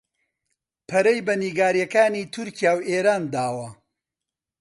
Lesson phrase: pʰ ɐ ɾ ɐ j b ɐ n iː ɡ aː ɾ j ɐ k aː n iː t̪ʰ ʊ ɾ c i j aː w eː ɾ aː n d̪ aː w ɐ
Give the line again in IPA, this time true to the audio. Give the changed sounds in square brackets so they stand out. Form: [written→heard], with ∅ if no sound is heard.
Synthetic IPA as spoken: pʰ ɐ ɾ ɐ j b ɐ n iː ɡ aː ɾ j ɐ k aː n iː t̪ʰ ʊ ɾ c i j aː w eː ɾ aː n d̪ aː w ɐ